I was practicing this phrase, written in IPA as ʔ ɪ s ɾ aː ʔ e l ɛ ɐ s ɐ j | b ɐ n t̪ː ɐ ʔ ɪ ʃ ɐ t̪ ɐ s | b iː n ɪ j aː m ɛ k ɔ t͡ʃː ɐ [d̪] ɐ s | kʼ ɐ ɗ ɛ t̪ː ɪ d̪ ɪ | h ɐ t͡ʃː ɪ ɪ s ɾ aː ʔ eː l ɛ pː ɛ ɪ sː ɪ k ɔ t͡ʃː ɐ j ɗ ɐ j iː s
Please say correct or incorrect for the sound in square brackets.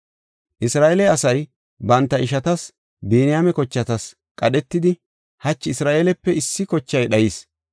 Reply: incorrect: t̪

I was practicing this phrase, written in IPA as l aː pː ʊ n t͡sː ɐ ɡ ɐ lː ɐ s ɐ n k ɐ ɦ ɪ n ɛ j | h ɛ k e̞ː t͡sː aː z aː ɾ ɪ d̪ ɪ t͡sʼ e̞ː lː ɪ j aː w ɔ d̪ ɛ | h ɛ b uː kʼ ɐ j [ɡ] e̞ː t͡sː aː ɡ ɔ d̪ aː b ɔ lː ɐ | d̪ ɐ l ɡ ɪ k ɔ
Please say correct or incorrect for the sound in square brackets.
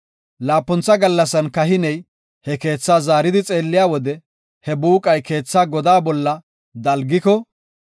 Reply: incorrect: k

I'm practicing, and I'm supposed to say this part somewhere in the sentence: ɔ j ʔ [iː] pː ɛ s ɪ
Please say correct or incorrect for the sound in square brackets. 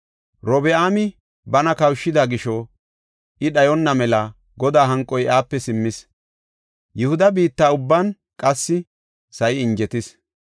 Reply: incorrect: aː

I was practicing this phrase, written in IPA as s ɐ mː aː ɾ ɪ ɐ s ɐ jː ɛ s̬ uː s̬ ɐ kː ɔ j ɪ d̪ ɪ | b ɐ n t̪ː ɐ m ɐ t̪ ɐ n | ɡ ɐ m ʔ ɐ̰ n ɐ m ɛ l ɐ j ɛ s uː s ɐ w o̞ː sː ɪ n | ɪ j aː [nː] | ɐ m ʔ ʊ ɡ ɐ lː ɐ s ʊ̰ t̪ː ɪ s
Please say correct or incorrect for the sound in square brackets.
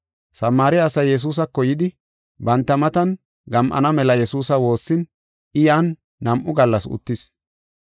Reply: correct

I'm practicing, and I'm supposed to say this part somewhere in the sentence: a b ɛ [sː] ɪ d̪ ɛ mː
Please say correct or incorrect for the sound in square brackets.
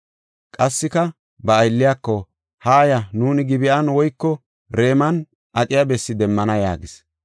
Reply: correct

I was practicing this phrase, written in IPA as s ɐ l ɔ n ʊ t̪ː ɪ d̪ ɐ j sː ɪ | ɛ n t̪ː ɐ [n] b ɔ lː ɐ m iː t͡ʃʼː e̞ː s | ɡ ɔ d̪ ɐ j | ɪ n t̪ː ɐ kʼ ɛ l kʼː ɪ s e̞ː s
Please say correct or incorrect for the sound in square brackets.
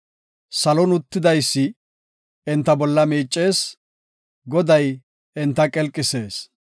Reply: incorrect: none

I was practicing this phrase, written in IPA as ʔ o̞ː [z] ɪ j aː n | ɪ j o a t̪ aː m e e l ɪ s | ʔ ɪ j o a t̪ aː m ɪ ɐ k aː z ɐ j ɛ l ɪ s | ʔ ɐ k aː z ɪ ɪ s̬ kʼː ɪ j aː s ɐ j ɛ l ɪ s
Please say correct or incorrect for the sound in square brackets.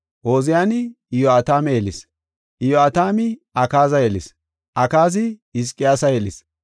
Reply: correct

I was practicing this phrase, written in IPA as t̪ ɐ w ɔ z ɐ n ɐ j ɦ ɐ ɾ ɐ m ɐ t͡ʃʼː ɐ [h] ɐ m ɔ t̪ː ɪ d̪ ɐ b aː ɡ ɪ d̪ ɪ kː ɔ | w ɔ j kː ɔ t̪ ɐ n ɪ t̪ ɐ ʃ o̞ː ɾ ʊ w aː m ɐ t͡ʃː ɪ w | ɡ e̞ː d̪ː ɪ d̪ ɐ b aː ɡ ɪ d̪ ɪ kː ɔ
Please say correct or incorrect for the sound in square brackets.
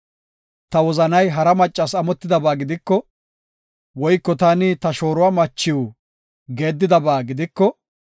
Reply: incorrect: s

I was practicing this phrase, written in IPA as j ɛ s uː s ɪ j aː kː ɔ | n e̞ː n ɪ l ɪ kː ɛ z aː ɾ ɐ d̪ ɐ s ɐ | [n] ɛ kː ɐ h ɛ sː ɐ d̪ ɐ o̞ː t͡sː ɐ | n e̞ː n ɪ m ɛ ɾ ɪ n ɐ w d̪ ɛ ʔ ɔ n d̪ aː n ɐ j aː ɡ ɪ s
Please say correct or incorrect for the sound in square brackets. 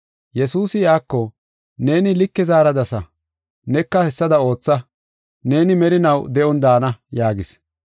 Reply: correct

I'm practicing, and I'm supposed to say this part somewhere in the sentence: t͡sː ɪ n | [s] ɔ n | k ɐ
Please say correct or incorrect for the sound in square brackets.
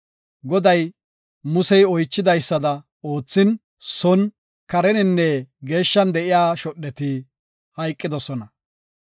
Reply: correct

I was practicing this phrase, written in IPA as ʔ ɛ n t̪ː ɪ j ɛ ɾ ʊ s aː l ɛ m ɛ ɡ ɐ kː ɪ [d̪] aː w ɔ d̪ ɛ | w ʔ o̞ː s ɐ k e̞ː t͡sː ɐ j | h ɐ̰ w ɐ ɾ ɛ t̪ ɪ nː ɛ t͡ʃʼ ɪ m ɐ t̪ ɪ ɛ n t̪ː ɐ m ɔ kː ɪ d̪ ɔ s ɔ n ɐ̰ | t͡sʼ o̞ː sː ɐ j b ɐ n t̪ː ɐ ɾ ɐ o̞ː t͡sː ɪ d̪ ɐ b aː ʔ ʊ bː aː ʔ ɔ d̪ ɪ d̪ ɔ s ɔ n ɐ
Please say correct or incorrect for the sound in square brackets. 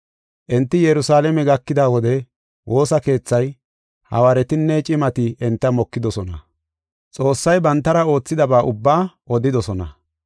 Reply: correct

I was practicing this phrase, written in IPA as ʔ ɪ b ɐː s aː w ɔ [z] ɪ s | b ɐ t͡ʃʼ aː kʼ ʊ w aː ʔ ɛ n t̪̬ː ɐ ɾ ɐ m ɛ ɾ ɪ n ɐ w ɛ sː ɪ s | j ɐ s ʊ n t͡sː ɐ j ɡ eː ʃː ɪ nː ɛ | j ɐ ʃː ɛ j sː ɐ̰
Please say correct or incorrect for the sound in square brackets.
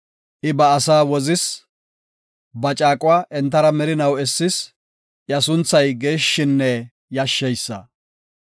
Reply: correct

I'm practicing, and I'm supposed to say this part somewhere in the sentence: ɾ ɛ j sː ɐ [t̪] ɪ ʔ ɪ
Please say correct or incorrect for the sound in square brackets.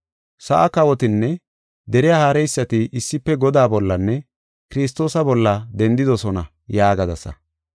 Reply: correct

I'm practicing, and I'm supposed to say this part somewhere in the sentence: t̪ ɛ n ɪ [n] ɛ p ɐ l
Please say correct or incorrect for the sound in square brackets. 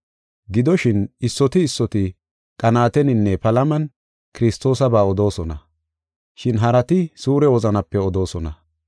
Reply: incorrect: nː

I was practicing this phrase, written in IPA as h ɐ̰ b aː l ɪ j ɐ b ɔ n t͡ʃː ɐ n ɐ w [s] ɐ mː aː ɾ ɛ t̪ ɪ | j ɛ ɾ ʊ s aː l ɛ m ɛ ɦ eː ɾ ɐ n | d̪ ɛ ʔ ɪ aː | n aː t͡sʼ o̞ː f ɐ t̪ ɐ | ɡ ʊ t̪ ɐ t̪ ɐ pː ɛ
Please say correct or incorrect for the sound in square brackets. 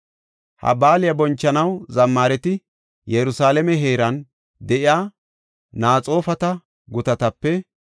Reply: incorrect: z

